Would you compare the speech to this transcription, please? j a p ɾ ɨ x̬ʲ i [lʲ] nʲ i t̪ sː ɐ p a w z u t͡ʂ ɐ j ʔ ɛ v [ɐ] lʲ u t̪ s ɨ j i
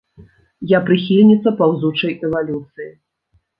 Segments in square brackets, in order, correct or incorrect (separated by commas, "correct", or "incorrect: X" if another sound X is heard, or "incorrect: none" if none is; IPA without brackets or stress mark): correct, incorrect: a